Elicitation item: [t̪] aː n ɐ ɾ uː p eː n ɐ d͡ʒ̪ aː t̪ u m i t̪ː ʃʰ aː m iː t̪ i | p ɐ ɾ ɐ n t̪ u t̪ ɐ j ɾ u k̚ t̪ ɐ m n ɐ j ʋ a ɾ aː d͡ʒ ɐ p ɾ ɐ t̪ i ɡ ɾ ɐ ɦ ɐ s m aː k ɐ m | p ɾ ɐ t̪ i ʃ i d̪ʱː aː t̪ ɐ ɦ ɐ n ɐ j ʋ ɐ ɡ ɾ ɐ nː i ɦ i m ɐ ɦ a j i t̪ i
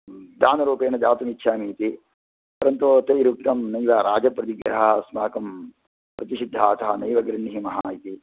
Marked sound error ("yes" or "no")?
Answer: yes